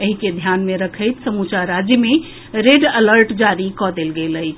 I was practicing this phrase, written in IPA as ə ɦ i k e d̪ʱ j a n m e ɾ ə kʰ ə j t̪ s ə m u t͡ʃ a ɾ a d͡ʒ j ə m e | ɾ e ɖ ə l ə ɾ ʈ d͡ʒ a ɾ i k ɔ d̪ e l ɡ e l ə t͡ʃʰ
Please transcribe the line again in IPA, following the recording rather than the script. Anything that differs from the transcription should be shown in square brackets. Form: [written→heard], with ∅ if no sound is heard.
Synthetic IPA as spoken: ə ɦ i k e d̪ʱ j a n m e ɾ ə kʰ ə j t̪ s ə m u t͡ʃ a ɾ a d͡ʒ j ə m e | ɾ e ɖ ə l ə ɾ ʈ d͡ʒ a ɾ i k ɔ d̪ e l ɡ e l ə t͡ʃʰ